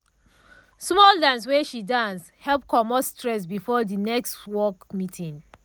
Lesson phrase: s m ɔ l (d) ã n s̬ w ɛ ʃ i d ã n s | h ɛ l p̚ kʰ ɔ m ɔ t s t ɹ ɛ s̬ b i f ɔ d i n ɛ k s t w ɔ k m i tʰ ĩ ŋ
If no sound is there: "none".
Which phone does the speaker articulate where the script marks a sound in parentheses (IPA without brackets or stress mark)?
d